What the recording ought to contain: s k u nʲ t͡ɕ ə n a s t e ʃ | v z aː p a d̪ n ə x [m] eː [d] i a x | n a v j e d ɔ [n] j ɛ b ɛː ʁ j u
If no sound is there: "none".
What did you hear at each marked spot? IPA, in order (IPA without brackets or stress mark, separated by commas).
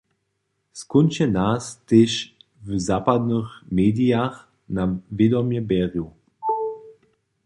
m, d, m